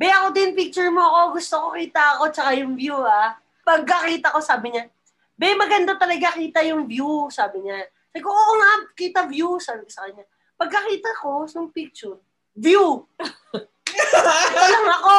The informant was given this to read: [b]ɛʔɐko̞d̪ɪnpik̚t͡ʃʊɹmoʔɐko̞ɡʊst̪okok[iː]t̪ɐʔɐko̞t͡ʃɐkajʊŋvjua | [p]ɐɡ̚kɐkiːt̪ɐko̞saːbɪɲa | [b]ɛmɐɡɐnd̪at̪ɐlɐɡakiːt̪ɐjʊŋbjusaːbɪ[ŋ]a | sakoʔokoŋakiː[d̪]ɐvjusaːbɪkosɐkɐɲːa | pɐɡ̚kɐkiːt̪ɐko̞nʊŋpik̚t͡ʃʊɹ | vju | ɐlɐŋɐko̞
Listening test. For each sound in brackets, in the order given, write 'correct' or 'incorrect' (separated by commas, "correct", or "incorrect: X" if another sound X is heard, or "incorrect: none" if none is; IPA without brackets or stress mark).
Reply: correct, correct, correct, correct, incorrect: ɲ, incorrect: t̪